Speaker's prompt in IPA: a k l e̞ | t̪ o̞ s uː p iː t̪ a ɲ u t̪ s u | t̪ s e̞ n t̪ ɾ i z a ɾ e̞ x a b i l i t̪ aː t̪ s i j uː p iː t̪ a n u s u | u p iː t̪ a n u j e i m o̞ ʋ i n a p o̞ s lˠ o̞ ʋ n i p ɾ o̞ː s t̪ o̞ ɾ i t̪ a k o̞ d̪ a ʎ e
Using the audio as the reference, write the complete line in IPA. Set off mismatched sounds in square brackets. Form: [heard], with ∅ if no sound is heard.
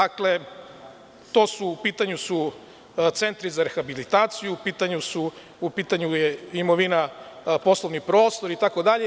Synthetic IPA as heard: a k l e̞ | t̪ o̞ s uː p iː t̪ a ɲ u [∅] s u | t̪ s e̞ n t̪ ɾ i z a ɾ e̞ x a b i l i t̪ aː t̪ s i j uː p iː t̪ a [ɲ] u s u | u p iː t̪ a [ɲ] u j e i m o̞ ʋ i n a p o̞ s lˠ o̞ ʋ n i p ɾ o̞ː s t̪ o̞ ɾ i t̪ a k o̞ d̪ a ʎ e

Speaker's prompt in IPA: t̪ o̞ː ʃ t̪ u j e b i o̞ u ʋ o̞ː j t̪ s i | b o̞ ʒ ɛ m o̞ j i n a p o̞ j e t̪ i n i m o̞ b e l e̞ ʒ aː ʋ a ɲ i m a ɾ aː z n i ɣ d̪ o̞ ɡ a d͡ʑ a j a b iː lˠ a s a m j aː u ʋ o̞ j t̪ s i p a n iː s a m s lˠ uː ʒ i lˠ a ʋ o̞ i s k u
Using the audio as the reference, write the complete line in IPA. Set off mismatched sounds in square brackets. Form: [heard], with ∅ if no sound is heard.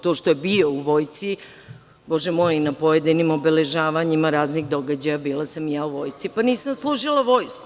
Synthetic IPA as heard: t̪ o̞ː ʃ t̪ [o] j e b i o̞ u ʋ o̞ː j t̪ s i | b o̞ ʒ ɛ m o̞ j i n a p o̞ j e [d̪] i n i m o̞ b e l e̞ ʒ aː ʋ a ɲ i m a ɾ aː z n i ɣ d̪ o̞ ɡ a d͡ʑ a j a b iː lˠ a s a m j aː u ʋ o̞ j t̪ s i p a n iː s a m s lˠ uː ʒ i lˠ a ʋ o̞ [j] s k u

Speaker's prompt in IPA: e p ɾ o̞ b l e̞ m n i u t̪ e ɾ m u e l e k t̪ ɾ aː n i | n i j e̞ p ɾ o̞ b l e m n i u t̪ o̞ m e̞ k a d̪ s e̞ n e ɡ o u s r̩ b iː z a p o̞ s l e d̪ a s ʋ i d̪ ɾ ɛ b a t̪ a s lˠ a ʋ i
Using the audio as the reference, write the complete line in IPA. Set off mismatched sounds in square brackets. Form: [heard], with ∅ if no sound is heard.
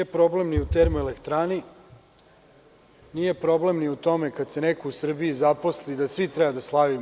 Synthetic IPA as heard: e p ɾ o̞ b l e̞ m n i u t̪ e ɾ m u e l e k t̪ ɾ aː n i | n i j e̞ p ɾ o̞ b l e m n i u t̪ o̞ m e̞ k a d̪ s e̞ n e [k] o u s r̩ b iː z a p o̞ s l [i] d̪ a s ʋ i [t̪] ɾ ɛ b a [d̪] a s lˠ a ʋ i

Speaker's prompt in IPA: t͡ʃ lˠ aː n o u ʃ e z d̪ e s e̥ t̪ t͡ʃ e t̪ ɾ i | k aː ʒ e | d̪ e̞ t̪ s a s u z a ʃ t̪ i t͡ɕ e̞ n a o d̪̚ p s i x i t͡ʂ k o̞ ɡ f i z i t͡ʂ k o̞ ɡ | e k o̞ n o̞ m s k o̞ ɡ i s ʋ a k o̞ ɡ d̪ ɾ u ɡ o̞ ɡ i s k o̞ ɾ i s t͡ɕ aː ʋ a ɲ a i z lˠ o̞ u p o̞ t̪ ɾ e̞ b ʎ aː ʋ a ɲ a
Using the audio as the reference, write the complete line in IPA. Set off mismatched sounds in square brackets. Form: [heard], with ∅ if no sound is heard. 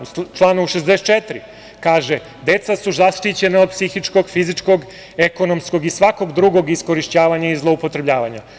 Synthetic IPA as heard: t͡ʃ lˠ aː n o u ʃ e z d̪ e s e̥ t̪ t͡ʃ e t̪ ɾ i | k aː ʒ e | d̪ e̞ t̪ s a s u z a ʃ t̪ i t͡ɕ e̞ n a o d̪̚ p s i x i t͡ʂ k o̞ ɡ f i z i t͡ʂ k o̞ ɡ | e k o̞ n o̞ m s k o̞ ɡ i s ʋ a k o̞ ɡ d̪ ɾ u ɡ o̞ ɡ i s k o̞ ɾ i [ʃ] t͡ɕ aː ʋ a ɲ a i z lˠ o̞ u p o̞ t̪ ɾ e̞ b ʎ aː ʋ a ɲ a

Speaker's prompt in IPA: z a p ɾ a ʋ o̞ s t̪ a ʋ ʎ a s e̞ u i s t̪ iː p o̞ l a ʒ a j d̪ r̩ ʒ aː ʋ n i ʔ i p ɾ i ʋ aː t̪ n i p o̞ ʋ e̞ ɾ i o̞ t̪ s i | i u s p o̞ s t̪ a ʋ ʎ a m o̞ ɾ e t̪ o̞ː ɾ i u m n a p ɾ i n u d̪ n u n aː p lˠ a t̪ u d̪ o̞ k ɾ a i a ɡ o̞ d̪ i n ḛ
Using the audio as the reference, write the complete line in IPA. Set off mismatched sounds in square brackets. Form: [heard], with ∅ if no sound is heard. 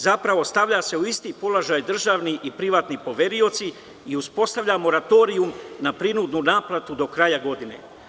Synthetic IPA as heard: z a p ɾ a ʋ o̞ s t̪ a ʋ ʎ a s e̞ u i s t̪ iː p o̞ l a ʒ a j d̪ r̩ ʒ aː ʋ n i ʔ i p ɾ i ʋ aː t̪ n i p o̞ ʋ e̞ ɾ i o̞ t̪ s i | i u s p o̞ s t̪ a ʋ ʎ a m o̞ ɾ [a] t̪ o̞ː ɾ i u m n a p ɾ i n u d̪ n u n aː p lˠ a t̪ u d̪ o̞ k ɾ a [j] a ɡ o̞ d̪ i n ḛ

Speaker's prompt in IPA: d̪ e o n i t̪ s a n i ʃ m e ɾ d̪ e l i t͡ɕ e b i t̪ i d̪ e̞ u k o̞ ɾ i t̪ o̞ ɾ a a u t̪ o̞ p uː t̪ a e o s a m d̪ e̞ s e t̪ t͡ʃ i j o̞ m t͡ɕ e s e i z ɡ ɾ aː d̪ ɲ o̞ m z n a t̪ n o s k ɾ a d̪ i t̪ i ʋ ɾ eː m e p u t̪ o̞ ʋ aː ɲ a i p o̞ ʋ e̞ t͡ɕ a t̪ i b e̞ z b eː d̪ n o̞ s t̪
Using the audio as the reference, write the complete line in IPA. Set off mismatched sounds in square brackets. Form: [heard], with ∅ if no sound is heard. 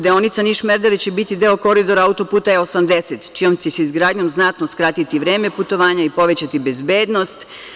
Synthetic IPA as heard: d̪ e o n i t̪ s a n i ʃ m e ɾ d̪ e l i t͡ɕ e b i t̪ i d̪ e̞ [o] k o̞ ɾ i [d̪] o̞ ɾ a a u t̪ o̞ p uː t̪ a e o s a m d̪ e̞ s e t̪ t͡ʃ i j o̞ m t͡ɕ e s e i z ɡ ɾ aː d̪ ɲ o̞ m z n a t̪ n o s k ɾ a [t̪] i t̪ i ʋ ɾ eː m e p u t̪ o̞ ʋ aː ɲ a i p o̞ ʋ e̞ t͡ɕ a t̪ i b e̞ z b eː d̪ n o̞ s t̪

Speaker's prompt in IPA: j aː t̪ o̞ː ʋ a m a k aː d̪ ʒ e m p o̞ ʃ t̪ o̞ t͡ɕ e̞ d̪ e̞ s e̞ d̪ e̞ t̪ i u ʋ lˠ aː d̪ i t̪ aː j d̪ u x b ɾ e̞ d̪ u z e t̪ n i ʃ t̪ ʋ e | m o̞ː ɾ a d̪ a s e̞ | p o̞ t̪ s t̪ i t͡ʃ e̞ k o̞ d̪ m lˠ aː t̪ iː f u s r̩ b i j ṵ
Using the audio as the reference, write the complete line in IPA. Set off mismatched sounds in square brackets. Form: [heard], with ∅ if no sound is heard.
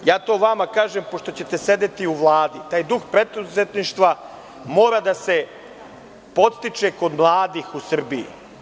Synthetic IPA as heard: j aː t̪ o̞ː ʋ a m a k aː [∅] ʒ e m p o̞ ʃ t̪ o̞ t͡ɕ e̞ [t̪] e̞ s e̞ d̪ e̞ t̪ i u ʋ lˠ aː d̪ i t̪ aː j d̪ u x [p] ɾ e̞ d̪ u z e t̪ n i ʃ t̪ ʋ [a] | m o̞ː ɾ a d̪ a s e̞ | p o̞ t̪ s t̪ i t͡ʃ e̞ k o̞ d̪ m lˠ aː [d̪] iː [x] u s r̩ b i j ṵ

